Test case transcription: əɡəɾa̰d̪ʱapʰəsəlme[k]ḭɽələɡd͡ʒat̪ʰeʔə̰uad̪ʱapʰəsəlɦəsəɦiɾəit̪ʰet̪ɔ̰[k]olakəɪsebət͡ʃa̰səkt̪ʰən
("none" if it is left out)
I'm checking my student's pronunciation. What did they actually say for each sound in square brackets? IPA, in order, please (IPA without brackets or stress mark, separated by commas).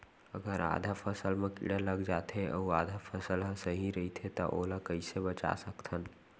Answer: k, ʔ